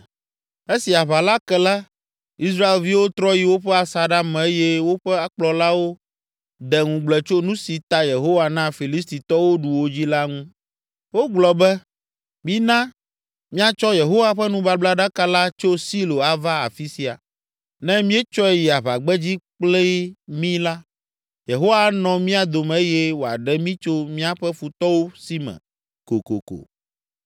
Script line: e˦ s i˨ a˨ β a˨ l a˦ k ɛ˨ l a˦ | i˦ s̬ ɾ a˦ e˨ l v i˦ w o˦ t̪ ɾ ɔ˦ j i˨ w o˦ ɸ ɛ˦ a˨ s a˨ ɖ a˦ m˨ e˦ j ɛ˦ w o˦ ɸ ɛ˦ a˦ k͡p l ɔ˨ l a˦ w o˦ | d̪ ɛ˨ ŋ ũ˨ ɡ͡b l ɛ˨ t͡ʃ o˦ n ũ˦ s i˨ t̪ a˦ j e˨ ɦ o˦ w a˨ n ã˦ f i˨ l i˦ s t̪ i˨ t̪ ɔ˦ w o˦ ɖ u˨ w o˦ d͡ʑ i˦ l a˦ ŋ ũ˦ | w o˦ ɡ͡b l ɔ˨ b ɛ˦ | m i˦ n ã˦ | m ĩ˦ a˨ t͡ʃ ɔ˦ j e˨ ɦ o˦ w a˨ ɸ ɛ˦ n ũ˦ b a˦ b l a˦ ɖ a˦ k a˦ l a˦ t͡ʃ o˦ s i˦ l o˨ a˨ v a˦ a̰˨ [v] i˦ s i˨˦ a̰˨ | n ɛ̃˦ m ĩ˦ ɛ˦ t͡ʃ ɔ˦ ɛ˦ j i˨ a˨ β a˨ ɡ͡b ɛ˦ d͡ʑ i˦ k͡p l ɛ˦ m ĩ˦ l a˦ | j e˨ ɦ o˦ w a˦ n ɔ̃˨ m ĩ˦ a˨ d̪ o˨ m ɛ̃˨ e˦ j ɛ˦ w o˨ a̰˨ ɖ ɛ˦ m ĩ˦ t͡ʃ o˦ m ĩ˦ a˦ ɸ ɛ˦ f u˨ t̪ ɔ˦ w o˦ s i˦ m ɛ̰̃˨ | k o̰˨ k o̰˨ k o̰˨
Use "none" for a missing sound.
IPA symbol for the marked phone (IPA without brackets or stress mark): f